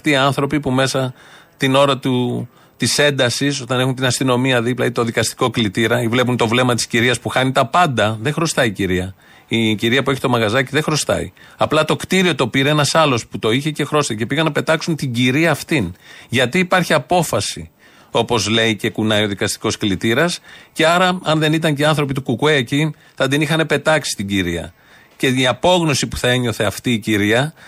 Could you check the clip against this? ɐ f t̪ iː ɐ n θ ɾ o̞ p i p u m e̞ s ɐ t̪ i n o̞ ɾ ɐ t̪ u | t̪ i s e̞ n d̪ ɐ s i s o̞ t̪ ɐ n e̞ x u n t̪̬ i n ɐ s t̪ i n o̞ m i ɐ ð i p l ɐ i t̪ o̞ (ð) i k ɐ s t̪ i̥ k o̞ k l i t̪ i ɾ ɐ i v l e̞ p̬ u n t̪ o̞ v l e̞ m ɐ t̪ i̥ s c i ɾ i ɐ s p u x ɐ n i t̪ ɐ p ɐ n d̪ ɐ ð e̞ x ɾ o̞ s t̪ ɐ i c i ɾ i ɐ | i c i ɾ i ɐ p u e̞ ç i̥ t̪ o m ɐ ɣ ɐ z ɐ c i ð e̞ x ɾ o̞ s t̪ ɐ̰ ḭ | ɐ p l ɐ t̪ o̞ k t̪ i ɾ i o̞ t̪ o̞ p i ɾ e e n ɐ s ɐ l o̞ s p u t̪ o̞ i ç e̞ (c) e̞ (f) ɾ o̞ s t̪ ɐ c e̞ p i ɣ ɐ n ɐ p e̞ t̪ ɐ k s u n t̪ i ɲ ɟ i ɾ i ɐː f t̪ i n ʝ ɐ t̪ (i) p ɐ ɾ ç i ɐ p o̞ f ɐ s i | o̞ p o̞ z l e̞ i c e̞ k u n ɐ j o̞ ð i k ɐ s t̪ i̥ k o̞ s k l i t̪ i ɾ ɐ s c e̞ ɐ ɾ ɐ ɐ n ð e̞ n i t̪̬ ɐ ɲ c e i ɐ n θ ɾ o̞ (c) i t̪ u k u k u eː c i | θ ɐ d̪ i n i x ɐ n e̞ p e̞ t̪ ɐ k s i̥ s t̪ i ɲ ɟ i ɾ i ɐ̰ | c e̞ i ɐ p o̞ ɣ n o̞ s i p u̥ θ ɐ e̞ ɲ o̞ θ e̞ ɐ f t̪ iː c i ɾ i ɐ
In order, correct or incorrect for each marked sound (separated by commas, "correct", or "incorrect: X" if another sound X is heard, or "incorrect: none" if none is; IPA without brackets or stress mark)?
correct, correct, incorrect: x, incorrect: iː, incorrect: p